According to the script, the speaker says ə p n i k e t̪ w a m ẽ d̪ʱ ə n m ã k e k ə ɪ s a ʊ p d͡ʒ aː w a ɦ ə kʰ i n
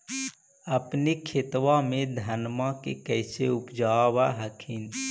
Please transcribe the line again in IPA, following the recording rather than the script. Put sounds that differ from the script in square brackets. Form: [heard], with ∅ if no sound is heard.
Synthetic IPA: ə p n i [kʰ] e t̪ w a m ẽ d̪ʱ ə n m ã k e k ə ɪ s [e] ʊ p d͡ʒ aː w a ɦ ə kʰ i n